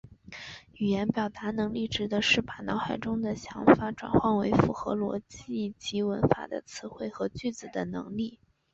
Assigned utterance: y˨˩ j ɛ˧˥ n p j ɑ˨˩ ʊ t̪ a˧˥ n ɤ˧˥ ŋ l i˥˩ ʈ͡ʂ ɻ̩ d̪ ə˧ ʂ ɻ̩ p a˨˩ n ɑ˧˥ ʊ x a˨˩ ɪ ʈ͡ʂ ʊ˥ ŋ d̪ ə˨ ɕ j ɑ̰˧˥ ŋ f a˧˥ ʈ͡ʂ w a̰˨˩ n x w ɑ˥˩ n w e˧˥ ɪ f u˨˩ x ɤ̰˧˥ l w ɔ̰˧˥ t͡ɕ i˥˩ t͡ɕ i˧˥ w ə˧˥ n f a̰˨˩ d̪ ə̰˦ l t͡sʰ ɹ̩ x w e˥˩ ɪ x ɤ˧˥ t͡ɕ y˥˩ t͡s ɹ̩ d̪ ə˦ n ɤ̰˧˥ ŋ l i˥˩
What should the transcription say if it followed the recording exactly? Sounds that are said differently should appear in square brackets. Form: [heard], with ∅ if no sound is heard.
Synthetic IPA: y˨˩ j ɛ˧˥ n p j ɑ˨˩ ʊ t̪ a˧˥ n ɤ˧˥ ŋ l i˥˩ ʈ͡ʂ ɻ̩ d̪ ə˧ ʂ ɻ̩ p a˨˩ n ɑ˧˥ ʊ x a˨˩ ɪ ʈ͡ʂ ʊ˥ ŋ d̪ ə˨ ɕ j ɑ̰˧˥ ŋ f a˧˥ ʈ͡ʂ w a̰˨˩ n x w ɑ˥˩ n w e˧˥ ɪ f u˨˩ x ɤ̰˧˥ l w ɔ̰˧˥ t͡ɕ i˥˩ t͡ɕ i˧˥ w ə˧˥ n f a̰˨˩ d̪ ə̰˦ [∅] t͡sʰ ɹ̩ x w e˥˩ ɪ x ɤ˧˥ t͡ɕ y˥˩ t͡s ɹ̩ d̪ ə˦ n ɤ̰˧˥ ŋ l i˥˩